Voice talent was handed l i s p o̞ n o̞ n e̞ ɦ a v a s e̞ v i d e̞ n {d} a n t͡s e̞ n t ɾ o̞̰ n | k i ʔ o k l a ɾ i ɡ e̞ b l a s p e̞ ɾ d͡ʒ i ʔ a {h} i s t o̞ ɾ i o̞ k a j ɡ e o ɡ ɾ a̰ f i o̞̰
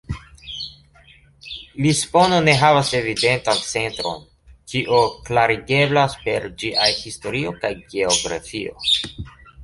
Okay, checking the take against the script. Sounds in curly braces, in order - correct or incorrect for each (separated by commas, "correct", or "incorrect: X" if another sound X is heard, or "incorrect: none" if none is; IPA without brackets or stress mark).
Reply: incorrect: t, correct